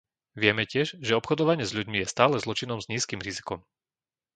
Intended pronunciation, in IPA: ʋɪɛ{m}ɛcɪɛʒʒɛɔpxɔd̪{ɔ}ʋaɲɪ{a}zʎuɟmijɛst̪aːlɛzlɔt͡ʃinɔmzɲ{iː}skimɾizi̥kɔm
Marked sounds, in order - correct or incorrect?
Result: correct, correct, incorrect, correct

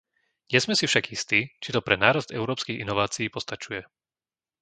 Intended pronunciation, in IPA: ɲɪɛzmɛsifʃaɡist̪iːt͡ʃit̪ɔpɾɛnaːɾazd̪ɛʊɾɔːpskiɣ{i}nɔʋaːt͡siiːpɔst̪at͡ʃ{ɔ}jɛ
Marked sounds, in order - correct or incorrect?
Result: correct, incorrect

